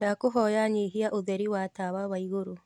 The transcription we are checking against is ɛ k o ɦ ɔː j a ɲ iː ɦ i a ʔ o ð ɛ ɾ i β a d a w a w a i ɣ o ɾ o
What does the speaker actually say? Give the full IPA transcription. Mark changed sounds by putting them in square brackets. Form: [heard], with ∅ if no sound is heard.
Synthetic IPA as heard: [a] k o ɦ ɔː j a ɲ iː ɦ i a ʔ o ð ɛ ɾ i [w] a [t] a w a w a i ɣ o ɾ o